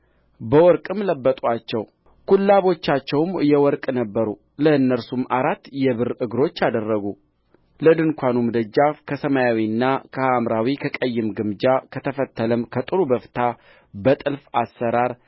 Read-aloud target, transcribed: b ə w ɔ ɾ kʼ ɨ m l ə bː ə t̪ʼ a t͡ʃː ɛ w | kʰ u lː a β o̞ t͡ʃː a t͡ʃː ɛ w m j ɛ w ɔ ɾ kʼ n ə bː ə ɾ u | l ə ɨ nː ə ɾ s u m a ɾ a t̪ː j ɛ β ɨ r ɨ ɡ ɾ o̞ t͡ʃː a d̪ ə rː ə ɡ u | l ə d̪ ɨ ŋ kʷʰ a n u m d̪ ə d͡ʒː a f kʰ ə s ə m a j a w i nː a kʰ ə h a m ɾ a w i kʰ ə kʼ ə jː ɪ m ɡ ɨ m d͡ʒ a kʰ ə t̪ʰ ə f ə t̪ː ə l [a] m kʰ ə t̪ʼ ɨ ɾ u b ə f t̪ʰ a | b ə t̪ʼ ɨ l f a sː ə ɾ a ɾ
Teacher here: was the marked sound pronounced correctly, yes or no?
no